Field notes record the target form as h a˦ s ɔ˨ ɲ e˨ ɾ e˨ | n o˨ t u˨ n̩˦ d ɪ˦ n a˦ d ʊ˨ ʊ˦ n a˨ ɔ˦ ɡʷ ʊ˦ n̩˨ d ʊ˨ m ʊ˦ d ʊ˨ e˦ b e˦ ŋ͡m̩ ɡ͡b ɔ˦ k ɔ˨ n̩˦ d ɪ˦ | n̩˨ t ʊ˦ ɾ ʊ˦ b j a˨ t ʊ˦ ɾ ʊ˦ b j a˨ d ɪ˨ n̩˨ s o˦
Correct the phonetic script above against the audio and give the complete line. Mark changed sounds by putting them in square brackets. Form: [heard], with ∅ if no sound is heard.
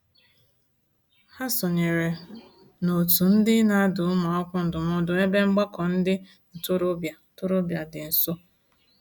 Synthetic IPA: h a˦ s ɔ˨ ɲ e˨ ɾ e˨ | n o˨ t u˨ n̩˦ d ɪ˦ n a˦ d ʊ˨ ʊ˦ [m] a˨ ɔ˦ [kʷ] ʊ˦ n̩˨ d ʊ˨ m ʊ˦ d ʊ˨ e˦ b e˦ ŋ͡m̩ ɡ͡b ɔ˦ k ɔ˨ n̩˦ d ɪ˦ | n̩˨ t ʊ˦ ɾ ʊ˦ b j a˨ t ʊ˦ ɾ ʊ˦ b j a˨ d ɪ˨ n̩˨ s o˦